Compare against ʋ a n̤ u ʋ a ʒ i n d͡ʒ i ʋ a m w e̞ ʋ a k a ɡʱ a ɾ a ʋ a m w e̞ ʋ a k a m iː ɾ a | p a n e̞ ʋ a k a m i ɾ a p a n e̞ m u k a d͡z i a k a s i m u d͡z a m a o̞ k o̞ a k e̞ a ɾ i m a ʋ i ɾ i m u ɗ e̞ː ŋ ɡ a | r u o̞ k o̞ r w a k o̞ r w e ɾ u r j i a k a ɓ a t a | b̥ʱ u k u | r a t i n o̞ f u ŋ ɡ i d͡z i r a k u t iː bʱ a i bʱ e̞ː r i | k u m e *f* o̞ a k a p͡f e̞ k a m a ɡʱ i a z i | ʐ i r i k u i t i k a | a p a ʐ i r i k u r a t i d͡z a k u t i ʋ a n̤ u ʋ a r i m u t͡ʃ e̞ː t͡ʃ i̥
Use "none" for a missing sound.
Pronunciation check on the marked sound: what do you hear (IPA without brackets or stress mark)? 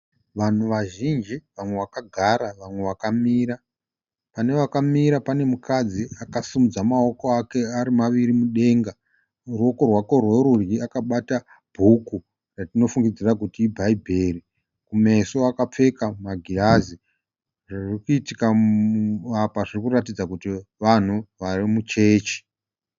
s